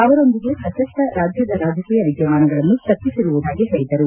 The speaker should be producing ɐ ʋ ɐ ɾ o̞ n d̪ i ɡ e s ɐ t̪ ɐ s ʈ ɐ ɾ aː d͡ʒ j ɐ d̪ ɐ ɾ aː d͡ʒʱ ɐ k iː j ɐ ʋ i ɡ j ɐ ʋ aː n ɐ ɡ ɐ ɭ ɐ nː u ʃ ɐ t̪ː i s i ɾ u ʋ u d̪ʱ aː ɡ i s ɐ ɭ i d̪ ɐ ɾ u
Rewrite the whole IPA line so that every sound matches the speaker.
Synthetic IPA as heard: ɐ ʋ ɐ ɾ o̞ n d̪ i ɡ e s ɐ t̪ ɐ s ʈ ɐ ɾ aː d͡ʒ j ɐ d̪ ɐ ɾ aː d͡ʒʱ ɐ k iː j ɐ ʋ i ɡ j ɐ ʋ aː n ɐ ɡ ɐ ɭ ɐ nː u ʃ ɐ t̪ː i s i ɾ u ʋ u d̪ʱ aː ɡ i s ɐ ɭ i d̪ ɐ ɾ u